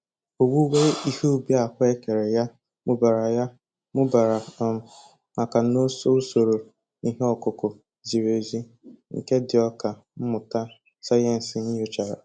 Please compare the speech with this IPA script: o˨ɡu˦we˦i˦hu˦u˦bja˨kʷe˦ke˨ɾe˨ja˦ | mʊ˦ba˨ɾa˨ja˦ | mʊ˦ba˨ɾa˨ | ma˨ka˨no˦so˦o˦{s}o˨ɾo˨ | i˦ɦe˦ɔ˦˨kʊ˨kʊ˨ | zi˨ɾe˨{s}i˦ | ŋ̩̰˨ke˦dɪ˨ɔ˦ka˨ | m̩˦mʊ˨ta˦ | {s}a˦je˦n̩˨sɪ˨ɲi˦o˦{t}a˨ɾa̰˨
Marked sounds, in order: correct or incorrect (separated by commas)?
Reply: correct, incorrect, correct, incorrect